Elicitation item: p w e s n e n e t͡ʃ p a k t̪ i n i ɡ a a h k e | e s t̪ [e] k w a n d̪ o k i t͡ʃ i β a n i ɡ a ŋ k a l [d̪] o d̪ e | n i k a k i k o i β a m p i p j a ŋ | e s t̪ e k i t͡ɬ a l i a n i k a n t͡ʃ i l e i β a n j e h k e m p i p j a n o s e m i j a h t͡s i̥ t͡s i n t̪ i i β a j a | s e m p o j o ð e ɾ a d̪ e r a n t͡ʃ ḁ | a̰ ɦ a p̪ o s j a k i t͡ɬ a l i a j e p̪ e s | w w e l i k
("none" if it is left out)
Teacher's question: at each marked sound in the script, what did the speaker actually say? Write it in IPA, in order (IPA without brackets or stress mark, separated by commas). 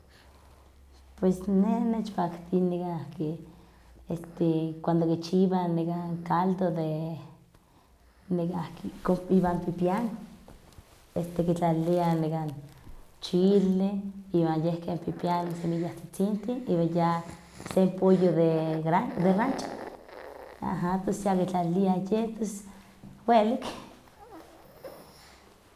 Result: e, d̪